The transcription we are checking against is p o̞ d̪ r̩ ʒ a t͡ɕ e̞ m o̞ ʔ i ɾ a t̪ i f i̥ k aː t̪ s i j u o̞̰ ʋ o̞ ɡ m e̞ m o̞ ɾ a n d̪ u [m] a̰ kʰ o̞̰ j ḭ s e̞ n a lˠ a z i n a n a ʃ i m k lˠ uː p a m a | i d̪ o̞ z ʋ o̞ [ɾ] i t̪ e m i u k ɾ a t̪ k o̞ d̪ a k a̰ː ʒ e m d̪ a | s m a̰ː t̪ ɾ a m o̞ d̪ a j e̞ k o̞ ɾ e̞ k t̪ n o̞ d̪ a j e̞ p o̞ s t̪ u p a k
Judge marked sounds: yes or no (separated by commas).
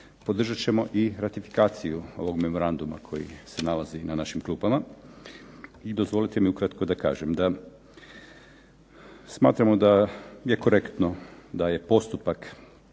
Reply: yes, no